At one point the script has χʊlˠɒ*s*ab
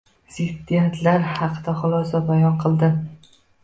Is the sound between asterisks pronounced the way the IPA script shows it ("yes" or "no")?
yes